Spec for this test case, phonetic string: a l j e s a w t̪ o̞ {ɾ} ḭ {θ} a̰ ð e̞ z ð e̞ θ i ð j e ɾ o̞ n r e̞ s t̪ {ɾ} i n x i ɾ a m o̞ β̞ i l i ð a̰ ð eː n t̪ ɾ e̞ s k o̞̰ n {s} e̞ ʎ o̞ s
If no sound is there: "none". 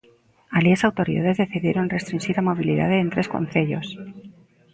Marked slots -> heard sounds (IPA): ɾ, ð, ɾ, θ

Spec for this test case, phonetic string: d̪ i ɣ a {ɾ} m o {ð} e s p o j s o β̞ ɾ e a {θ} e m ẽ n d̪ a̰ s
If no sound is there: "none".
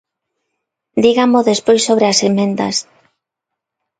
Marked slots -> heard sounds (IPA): none, ð, s

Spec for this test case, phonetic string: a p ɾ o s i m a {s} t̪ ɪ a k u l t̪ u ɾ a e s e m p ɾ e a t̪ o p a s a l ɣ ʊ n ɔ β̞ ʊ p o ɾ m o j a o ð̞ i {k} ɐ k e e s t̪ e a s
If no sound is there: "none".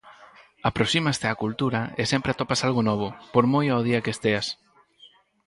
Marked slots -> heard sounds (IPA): s, none

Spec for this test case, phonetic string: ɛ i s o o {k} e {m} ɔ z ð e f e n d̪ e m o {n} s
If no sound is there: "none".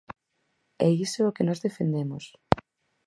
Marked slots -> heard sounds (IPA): k, n, none

